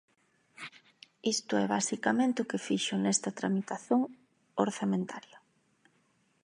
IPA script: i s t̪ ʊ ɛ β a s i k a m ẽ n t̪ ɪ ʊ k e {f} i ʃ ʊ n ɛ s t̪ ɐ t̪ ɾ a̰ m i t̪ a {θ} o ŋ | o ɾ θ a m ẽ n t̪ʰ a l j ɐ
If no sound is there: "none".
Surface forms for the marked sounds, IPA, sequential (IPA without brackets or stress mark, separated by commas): f, θ